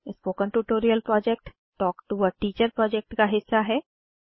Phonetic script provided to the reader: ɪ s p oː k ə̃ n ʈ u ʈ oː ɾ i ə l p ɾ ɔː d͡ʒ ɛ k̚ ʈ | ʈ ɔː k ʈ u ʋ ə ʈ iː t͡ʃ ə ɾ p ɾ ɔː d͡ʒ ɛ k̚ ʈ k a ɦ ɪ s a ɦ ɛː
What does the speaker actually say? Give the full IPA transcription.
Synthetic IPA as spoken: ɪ s p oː k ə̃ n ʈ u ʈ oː ɾ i ə l p ɾ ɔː d͡ʒ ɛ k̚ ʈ | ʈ ɔː k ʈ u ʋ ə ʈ iː t͡ʃ ə ɾ p ɾ ɔː d͡ʒ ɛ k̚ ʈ k a ɦ ɪ sː a ɦ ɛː

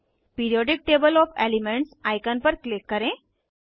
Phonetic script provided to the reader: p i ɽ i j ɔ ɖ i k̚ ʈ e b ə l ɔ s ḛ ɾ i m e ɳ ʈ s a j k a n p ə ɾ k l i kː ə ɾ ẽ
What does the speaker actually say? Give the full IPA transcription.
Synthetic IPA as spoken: p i ɾ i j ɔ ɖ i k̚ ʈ e b ə l ɔ f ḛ l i m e ɳ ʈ s a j k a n p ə ɾ k l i kː ə ɾ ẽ

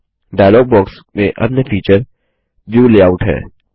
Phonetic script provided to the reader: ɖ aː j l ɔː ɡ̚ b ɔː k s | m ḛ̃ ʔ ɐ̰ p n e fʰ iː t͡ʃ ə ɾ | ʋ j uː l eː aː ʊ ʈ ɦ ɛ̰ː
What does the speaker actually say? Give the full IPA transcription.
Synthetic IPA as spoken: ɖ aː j l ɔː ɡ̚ b ɔː k s | m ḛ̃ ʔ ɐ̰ p n e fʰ iː t͡ʃ ə ɾ | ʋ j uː l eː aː ʊ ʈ ɦ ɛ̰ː

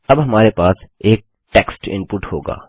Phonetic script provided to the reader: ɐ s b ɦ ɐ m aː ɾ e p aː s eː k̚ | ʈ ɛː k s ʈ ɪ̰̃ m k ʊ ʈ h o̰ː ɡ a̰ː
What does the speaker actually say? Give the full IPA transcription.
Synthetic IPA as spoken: ɐ b ɦ ɐ m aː ɾ e p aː s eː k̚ | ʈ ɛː k s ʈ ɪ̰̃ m p ʊ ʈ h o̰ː ɡ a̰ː

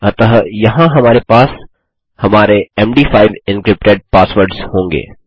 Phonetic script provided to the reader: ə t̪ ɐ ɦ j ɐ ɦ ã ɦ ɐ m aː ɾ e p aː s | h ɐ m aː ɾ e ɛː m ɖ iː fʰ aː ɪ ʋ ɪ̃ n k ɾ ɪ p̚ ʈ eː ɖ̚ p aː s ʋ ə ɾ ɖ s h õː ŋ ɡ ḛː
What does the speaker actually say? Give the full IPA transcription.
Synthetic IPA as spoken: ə t̪ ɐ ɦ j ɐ ɦ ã ɦ ɐ m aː ɾ e p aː s | h ɐ m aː ɾ e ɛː m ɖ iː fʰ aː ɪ ʋ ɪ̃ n k ɾ ɪ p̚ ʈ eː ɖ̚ p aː s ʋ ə ɾ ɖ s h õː ŋ ɡ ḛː

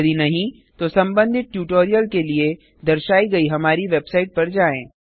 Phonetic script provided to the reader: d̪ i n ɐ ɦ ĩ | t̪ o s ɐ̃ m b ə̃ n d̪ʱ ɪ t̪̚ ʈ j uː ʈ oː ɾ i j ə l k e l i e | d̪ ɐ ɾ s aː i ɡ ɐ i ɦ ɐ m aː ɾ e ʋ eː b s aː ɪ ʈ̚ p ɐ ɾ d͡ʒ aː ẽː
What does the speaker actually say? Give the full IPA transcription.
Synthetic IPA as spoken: d̪ i n ɐ ɦ ĩ | t̪ o s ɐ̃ m b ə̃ n d̪ʱ ɪ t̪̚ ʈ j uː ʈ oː ɾ i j ə l k e l i e | d̪ ɐ ɾ ʃ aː i ɡ ɐ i ɦ ɐ m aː ɾ i ʋ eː b s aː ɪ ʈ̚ p ɐ ɾ d͡ʒ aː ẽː

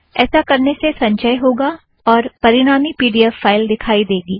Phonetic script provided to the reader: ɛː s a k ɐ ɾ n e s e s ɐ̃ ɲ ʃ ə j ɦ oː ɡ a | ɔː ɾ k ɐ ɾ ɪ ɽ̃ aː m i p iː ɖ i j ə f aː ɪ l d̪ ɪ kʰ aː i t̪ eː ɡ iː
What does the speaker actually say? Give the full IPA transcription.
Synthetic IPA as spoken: ɛː s a k ɐ ɾ n e s e s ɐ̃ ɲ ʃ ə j ɦ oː ɡ a | ɔː ɾ p ɐ ɾ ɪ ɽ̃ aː m i p iː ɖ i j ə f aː ɪ l d̪ ɪ kʰ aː i d̪ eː ɡ iː

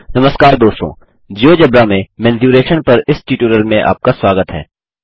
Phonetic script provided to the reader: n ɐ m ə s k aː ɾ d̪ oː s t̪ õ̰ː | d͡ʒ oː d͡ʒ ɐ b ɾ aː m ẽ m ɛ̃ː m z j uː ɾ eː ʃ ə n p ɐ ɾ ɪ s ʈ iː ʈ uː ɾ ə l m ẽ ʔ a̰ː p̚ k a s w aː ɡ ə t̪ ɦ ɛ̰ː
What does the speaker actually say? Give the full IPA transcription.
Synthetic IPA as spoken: n ɐ m ə s k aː ɾ d̪ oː s t̪ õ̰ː | d͡ʒ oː d͡ʒ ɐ b ɾ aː m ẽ m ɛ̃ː n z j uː ɾ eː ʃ ə n p ɐ ɾ ɪ s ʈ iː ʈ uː ɾ ə l m ẽ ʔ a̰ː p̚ k a s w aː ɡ ə t̪ ɦ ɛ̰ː

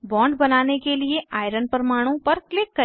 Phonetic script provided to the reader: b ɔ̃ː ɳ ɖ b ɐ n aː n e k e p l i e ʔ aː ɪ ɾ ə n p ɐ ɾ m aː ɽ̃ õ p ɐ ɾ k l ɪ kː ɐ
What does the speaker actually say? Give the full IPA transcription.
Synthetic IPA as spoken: b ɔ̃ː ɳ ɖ b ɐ n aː n e k e l i e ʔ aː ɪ ɾ ə n p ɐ ɾ m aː ɽ̃ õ p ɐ ɾ k l ɪ kː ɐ

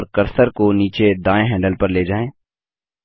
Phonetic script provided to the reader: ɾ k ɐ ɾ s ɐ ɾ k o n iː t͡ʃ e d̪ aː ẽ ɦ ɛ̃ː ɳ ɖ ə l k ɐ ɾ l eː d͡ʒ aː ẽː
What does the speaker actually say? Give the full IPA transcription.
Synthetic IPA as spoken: ɾ k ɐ ɾ s ə ɾ k o n iː t͡ʃ e d̪ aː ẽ ɦ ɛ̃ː ɳ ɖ ə l p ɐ ɾ l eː d͡ʒ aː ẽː

